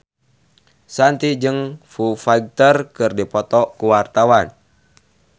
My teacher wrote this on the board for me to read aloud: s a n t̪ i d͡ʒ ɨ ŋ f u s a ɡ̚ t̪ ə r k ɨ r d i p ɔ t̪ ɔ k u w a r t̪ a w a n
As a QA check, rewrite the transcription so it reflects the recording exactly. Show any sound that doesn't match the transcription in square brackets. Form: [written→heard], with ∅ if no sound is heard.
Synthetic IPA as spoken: s a n t̪ i d͡ʒ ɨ ŋ f u [s→f] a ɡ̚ t̪ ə r k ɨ r d i p ɔ t̪ ɔ k u w a r t̪ a w a n